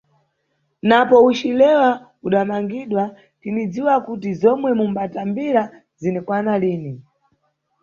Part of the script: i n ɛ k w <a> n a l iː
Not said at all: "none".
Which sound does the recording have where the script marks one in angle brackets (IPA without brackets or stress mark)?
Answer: a